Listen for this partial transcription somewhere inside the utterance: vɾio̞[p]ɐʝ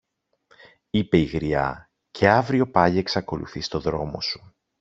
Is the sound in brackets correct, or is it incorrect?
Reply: correct